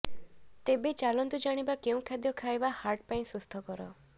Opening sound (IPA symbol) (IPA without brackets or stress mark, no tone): t̪